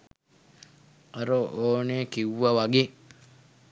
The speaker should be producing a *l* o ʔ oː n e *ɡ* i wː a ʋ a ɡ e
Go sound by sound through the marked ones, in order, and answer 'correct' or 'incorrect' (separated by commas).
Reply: incorrect, incorrect